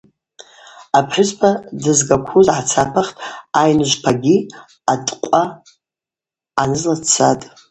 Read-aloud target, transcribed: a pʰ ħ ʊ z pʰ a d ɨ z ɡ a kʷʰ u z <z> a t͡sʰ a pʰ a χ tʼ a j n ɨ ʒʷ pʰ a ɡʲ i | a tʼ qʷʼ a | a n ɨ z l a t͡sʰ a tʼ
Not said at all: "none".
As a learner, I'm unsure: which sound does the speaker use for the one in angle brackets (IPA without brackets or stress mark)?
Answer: ʕ